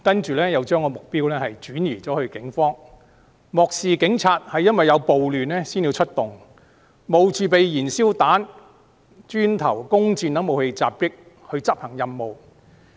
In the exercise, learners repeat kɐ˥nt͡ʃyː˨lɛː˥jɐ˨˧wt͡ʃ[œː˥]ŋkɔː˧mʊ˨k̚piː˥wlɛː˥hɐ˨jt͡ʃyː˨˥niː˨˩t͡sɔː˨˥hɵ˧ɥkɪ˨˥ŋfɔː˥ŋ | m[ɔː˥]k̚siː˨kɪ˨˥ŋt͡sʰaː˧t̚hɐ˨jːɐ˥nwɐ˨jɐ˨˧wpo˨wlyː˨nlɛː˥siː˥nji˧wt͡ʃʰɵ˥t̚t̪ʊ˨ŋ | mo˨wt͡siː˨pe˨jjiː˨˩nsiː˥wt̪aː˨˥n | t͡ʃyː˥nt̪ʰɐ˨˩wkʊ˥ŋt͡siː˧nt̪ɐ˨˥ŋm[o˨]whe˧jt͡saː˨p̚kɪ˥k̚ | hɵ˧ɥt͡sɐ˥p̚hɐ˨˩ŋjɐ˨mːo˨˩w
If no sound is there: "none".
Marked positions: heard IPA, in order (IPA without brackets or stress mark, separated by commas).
œː˥, ɔː˨, o˨